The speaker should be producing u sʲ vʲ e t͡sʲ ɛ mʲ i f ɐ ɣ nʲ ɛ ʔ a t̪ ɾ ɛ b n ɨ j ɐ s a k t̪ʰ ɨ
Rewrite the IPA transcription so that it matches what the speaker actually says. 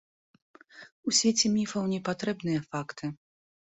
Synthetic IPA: u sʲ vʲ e t͡sʲ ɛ mʲ i f ɐ w nʲ ɛ p a t̪ ɾ ɛ b n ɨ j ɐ f a k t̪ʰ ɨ